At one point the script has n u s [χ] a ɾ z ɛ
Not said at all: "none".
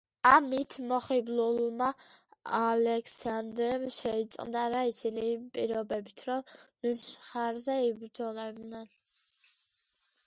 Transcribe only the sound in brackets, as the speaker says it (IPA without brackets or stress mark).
χ